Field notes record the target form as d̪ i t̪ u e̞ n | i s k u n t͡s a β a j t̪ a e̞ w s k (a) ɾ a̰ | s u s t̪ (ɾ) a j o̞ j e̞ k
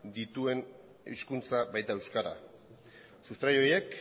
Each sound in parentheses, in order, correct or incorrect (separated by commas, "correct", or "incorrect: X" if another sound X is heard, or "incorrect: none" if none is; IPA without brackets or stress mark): correct, correct